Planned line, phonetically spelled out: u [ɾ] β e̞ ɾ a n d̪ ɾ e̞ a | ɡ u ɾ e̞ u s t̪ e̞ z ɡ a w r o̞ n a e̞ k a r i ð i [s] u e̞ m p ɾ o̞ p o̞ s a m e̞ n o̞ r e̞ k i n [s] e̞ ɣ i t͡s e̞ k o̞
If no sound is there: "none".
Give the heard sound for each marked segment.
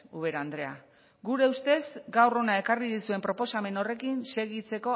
none, s, s

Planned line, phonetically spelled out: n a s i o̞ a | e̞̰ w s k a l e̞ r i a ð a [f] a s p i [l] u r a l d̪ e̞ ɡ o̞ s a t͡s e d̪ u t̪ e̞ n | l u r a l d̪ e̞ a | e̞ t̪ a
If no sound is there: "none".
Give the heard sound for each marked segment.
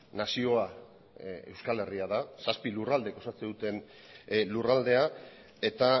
s, l

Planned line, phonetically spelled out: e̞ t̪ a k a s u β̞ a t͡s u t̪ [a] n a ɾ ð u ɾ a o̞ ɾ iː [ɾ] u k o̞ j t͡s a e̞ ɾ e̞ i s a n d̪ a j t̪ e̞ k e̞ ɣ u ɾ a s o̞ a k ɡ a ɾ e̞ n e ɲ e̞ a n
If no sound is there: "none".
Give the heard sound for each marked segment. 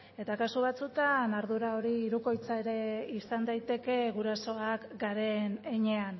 a, ɾ

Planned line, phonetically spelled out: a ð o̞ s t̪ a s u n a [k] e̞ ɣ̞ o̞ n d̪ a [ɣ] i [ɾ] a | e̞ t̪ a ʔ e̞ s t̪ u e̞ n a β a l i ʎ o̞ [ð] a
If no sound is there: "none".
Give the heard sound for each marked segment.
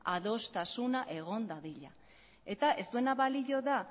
ʔ, ð, ʎ, ð

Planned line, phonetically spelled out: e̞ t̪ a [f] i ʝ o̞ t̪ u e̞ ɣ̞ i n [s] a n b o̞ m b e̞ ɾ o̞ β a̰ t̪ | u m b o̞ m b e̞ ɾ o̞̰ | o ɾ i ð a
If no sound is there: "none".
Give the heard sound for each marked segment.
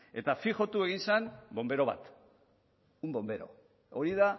f, s

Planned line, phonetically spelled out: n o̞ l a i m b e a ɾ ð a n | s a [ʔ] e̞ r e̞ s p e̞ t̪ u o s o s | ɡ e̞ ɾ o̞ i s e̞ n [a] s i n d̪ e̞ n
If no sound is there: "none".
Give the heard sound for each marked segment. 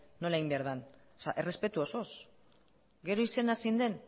ʔ, a

